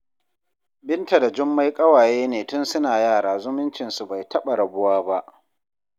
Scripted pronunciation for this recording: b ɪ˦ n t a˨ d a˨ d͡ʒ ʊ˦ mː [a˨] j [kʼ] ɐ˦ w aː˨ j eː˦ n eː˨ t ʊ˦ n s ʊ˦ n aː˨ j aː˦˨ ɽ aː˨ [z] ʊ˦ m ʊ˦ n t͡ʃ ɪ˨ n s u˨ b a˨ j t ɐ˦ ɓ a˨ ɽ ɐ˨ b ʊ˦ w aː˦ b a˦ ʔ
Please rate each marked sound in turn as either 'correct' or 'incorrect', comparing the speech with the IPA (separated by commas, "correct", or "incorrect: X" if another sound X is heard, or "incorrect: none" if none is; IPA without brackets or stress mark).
incorrect: a˦, correct, correct